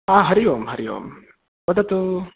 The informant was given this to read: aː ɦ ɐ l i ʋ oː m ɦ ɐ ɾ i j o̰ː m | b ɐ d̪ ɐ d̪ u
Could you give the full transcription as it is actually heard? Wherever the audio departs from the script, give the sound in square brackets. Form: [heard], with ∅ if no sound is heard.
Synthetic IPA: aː ɦ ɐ [ɾ] i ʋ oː m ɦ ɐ ɾ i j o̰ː m | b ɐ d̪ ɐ [t̪] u